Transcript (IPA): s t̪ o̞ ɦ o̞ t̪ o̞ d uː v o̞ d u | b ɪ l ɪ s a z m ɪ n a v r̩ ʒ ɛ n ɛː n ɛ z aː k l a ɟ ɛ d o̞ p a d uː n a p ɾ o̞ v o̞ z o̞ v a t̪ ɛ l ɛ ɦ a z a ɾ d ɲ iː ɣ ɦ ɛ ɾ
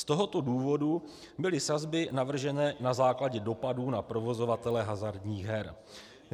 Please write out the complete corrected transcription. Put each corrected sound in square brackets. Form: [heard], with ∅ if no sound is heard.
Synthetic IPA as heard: s t̪ o̞ ɦ o̞ t̪ o̞ d uː v o̞ d u | b ɪ l ɪ s a z [b] ɪ n a v r̩ ʒ ɛ n ɛː n [a] z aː k l a ɟ ɛ d o̞ p a d uː n a p ɾ o̞ v o̞ z o̞ v a t̪ ɛ l ɛ ɦ a z a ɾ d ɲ iː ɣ ɦ ɛ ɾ